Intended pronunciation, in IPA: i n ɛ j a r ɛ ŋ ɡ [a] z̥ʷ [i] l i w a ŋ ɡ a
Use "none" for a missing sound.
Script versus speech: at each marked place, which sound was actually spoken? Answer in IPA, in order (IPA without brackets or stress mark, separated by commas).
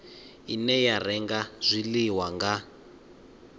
a, i